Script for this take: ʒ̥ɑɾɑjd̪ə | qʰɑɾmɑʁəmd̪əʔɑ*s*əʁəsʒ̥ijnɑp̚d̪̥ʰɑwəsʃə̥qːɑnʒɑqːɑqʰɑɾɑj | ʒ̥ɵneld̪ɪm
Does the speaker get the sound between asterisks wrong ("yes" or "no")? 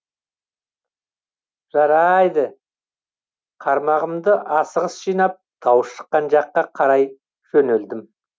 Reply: no